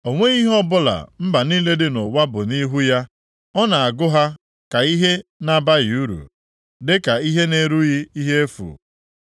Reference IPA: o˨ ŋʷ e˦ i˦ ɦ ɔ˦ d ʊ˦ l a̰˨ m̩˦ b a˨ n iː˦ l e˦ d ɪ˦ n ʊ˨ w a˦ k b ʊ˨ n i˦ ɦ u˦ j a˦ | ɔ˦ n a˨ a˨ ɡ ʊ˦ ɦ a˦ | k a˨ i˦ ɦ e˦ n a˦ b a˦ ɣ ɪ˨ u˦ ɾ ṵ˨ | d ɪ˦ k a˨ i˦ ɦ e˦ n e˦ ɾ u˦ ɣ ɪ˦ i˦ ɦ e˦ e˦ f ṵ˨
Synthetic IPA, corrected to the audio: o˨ ŋʷ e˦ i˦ ɦ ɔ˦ b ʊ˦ l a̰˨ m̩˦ b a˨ n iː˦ l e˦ d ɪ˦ n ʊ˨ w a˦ b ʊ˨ n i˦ ɦ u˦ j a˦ | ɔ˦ n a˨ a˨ ɡ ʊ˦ ɦ a˦ | k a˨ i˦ ɦ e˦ n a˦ b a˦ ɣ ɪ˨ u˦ ɾ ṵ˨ | d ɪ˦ k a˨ i˦ ɦ e˦ n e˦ ɾ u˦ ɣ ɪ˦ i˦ ɦ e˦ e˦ f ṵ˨